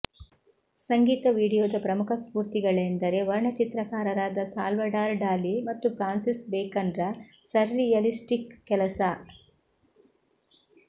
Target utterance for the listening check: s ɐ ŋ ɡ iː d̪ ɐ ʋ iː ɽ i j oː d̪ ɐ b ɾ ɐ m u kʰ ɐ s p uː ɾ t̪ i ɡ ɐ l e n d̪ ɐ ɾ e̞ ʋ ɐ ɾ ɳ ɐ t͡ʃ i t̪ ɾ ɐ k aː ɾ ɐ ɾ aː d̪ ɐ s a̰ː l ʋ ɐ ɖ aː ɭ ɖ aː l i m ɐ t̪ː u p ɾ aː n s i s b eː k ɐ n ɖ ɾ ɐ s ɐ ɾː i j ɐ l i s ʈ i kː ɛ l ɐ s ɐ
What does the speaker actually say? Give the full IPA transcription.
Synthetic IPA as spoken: s ɐ ŋ ɡ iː t̪ ɐ ʋ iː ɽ i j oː d̪ ɐ p ɾ ɐ m u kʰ ɐ s p uː ɾ t̪ i ɡ ɐ ɭ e n d̪ ɐ ɾ e̞ ʋ ɐ ɾ ɳ ɐ t͡ʃ i t̪ ɾ ɐ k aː ɾ ɐ ɾ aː d̪ ɐ s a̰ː l ʋ ɐ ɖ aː ɾ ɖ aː l i m ɐ t̪ː u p ɾ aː n s i s b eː k ɐ n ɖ ɾ ɐ s ɐ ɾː i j ɐ l i s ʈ i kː ɛ l ɐ s ɐ